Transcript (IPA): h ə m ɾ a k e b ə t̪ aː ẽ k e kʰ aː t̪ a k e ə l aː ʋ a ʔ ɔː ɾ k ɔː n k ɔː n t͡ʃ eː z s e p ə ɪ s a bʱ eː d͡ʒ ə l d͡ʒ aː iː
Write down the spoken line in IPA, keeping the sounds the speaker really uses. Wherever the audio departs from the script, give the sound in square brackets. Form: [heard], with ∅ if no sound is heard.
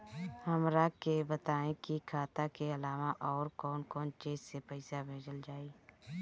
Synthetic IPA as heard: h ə m ɾ a k e b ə t̪ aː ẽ k [i] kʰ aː t̪ a k e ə l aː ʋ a ʔ ɔː ɾ k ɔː n k ɔː n t͡ʃ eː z s e p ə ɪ s a bʱ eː d͡ʒ ə l d͡ʒ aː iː